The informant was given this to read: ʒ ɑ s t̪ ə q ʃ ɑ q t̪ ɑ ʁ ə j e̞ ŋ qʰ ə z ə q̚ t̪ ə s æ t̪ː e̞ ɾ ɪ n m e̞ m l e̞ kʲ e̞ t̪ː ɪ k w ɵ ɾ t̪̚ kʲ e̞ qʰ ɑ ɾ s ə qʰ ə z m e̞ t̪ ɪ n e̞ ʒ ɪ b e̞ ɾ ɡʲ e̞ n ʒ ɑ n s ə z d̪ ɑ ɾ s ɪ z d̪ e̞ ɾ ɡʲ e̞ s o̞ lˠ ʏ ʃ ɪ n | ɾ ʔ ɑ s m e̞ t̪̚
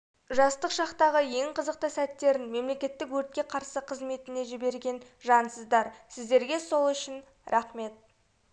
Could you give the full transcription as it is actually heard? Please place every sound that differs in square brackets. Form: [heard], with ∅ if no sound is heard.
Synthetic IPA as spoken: ʒ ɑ s t̪ ə q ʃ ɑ q t̪ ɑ ʁ ə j e̞ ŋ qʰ ə z ə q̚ t̪ ə s æ t̪ː e̞ ɾ ɪ n m e̞ m l e̞ kʲ e̞ t̪ː ɪ k w ɵ ɾ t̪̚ kʲ e̞ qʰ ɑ ɾ s ə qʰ ə z m e̞ t̪ ɪ n e̞ ʒ ɪ b e̞ ɾ ɡʲ e̞ n ʒ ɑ n s ə z d̪ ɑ ɾ s ɪ z d̪ e̞ ɾ ɡʲ e̞ s o̞ lˠ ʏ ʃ ɪ n | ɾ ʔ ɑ [χ] m e̞ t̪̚

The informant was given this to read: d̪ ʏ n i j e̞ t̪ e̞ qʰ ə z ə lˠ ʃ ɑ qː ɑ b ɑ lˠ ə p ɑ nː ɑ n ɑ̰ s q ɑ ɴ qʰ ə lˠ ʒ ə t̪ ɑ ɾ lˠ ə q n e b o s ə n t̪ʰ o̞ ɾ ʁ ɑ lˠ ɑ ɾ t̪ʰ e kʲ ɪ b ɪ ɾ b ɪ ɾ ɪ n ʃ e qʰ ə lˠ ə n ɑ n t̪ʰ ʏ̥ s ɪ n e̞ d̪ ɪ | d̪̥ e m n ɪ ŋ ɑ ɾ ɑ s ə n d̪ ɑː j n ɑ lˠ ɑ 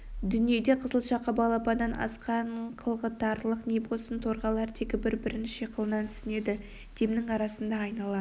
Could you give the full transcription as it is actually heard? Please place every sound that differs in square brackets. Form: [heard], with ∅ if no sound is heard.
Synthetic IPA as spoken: d̪ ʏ n i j e̞ [d̪] e̞ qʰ ə z ə lˠ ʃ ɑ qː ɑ b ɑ lˠ [ɑ] p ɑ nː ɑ n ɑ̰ s q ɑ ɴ qʰ ə lˠ [ʁ] ə t̪ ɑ ɾ lˠ ə q n e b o s ə n t̪ʰ o̞ ɾ ʁ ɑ lˠ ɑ ɾ t̪ʰ e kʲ ɪ b ɪ ɾ b ɪ ɾ ɪ n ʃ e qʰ ə lˠ ə n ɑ n t̪ʰ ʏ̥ s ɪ n e̞ d̪ ɪ | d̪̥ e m n ɪ ŋ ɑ ɾ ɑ s ə n d̪ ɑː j n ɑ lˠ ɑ

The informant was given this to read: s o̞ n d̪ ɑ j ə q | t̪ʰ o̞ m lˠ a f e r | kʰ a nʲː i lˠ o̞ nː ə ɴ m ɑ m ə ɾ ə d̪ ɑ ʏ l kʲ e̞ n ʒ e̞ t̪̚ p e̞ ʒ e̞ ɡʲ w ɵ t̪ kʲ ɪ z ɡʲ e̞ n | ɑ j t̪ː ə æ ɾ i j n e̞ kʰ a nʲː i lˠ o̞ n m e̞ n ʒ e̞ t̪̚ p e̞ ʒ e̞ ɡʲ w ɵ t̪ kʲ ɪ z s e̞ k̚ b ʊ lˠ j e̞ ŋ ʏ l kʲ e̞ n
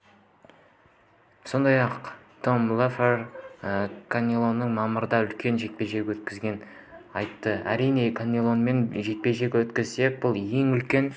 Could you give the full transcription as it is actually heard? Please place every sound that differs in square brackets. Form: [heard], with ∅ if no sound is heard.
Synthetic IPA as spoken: s o̞ n d̪ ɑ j [ɑ] q | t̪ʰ o̞ m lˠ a f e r | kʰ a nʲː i lˠ o̞ nː ə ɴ m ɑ m ə ɾ ə d̪ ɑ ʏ l kʲ e̞ n ʒ e̞ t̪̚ p e̞ ʒ e̞ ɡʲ w ɵ t̪ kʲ ɪ z ɡʲ e̞ n | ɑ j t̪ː ə æ ɾ i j n e̞ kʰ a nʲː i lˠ o̞ n m e̞ n ʒ e̞ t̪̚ p e̞ ʒ e̞ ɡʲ w ɵ t̪ kʲ ɪ z s e̞ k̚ b ʊ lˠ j e̞ ŋ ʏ l kʲ e̞ n

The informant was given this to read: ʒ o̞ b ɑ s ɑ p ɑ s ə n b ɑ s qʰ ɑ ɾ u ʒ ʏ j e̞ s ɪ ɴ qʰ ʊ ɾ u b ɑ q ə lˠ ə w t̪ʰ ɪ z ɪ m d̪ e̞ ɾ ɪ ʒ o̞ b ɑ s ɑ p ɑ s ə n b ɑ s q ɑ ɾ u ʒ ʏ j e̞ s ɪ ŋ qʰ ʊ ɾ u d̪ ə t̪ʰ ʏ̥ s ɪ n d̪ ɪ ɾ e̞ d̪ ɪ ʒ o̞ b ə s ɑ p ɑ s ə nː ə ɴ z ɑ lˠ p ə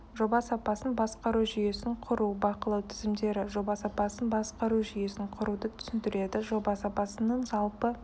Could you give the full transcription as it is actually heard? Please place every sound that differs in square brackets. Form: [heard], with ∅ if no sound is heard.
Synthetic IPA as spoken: ʒ o̞ b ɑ s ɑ p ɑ s ə n b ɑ s [q] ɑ ɾ u ʒ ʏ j e̞ s ɪ ɴ qʰ ʊ ɾ u b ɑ q ə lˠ [ɑ] w t̪ʰ ɪ z ɪ m d̪ e̞ ɾ ɪ ʒ o̞ b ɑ s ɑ p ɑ s ə n b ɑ s q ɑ ɾ u ʒ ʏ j e̞ s ɪ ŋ qʰ ʊ ɾ u d̪ ə t̪ʰ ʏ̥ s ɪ n d̪ ɪ ɾ e̞ d̪ ɪ ʒ o̞ b [ɑ] s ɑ p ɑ s ə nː ə ɴ z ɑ lˠ p ə

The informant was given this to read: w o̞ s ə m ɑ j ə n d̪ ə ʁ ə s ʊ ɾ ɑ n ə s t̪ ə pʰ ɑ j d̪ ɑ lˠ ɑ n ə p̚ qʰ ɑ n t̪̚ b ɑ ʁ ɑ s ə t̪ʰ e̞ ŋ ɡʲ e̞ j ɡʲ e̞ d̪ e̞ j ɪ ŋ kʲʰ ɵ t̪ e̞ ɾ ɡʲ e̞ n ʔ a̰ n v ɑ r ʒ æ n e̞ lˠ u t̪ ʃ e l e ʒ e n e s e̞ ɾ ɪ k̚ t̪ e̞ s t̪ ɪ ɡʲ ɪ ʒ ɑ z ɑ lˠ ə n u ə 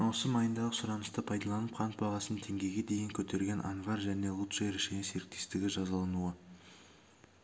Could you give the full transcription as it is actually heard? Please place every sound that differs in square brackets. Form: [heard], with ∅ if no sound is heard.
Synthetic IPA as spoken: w o̞ s ə m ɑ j ə n d̪ [ɑ] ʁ ə s ʊ ɾ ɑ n ə s t̪ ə pʰ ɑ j d̪ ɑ lˠ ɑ n ə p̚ qʰ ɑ n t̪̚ b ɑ ʁ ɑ s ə t̪ʰ e̞ ŋ ɡʲ e̞ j ɡʲ e̞ d̪ e̞ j ɪ ŋ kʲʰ ɵ t̪ e̞ ɾ ɡʲ e̞ n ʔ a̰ n v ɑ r ʒ æ n e̞ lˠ u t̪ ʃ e [ɾ] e [ʃ] e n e s e̞ ɾ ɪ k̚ t̪ e̞ s t̪ ɪ ɡʲ ɪ ʒ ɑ z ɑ lˠ [ɑ] n u ə

